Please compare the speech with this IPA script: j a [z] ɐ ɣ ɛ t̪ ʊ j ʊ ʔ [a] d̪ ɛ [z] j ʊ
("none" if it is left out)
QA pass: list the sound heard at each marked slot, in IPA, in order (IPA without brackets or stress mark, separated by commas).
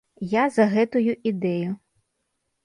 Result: z, i, none